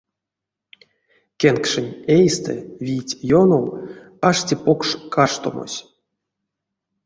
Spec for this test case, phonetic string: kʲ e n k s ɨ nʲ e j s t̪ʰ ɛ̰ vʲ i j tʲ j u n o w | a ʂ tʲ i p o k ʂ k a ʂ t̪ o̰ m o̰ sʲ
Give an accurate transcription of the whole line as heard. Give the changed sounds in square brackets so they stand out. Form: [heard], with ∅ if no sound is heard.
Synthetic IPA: kʲ e n k [ʂ] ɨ nʲ e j s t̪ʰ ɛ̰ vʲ i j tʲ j [o] n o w | a ʂ tʲ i p o k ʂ k a ʂ t̪ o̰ m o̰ sʲ